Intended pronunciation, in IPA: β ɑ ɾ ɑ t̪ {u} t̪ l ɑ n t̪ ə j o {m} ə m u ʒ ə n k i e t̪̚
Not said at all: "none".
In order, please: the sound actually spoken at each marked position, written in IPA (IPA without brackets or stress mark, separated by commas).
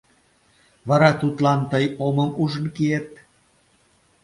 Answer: u, m